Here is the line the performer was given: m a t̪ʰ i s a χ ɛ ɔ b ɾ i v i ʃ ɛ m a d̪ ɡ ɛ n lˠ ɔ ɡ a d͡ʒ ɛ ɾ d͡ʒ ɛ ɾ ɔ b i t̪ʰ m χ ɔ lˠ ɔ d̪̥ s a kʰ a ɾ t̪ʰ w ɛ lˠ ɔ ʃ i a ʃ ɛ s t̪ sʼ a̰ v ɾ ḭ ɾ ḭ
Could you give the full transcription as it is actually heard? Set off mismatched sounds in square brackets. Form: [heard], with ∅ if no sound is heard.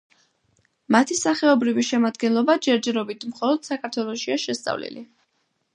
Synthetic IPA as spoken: m a t̪ʰ i s a χ ɛ ɔ b ɾ i v i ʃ ɛ m a d̪ ɡ ɛ n lˠ ɔ [b] a d͡ʒ ɛ ɾ d͡ʒ ɛ ɾ ɔ b i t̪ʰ m χ ɔ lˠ ɔ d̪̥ s a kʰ a ɾ t̪ʰ w ɛ lˠ ɔ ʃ i a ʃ ɛ s t̪ sʼ a̰ v [l] ḭ [l] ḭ